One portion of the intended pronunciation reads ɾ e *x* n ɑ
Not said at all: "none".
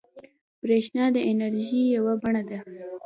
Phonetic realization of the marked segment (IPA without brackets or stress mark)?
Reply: ʃ